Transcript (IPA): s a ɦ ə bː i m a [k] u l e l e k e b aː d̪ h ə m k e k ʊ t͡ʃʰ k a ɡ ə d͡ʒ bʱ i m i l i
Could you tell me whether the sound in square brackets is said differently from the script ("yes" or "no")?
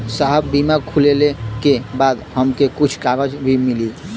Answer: yes